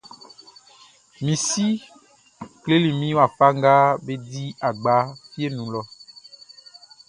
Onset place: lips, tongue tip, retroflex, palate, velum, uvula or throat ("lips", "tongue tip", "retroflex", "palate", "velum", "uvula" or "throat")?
lips